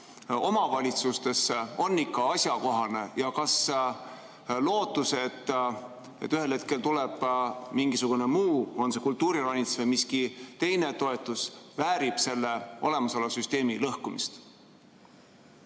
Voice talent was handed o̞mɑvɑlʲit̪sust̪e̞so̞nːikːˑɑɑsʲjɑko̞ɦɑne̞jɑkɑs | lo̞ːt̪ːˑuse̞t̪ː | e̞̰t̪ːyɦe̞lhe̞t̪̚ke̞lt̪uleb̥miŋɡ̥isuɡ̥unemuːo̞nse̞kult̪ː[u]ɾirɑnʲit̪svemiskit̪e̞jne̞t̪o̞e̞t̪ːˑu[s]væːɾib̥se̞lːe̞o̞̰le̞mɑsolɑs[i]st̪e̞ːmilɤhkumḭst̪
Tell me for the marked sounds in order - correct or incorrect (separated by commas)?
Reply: incorrect, correct, incorrect